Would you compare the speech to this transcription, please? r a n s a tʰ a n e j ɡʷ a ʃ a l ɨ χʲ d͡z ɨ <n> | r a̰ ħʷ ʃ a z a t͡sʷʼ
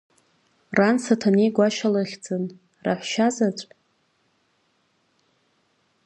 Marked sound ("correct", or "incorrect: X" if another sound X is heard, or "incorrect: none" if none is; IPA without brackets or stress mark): correct